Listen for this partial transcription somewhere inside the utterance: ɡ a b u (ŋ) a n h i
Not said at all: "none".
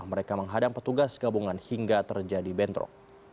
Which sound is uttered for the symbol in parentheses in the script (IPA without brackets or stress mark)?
ŋ